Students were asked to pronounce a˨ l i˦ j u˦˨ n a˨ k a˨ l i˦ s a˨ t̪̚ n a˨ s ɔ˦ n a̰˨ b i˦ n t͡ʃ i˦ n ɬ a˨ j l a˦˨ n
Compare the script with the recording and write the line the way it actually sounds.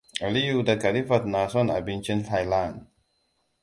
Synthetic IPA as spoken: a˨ l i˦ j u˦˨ d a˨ k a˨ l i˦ f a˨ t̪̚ n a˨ s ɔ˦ n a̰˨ b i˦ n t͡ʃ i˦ n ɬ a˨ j l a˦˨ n